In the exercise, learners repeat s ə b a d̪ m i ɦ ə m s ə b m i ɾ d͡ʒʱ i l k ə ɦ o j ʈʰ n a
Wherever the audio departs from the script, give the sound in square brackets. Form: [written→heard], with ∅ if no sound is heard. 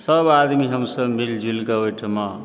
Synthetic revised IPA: s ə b a d̪ m i ɦ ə m s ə b m i [ɾ→l] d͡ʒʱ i l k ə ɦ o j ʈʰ [n→m] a